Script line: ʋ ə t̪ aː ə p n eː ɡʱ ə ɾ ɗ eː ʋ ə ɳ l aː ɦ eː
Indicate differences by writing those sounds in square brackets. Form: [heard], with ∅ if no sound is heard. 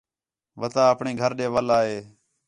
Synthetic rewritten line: ʋ ə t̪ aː ə p [ɳ] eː ɡʱ ə ɾ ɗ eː ʋ ə [∅] l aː ɦ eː